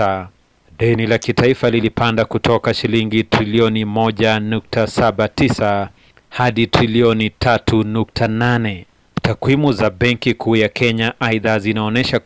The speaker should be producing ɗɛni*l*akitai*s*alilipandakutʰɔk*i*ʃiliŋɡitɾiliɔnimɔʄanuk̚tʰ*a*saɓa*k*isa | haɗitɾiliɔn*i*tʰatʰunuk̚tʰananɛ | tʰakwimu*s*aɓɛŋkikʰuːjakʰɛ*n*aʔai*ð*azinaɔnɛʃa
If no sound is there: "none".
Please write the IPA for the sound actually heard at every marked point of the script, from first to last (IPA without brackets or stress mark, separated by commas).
l, f, a, a, t, i, z, ɲ, ð